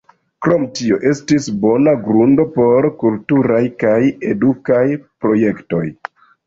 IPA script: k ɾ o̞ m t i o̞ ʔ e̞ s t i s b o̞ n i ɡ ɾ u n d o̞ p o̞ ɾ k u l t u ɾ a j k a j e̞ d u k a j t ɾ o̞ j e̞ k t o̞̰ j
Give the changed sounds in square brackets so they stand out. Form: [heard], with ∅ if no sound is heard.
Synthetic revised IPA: k ɾ o̞ m t i o̞ ʔ e̞ s t i s b o̞ n [a] ɡ ɾ u n d o̞ p o̞ ɾ k u l t u ɾ a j k a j e̞ d u k a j [p] ɾ o̞ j e̞ k t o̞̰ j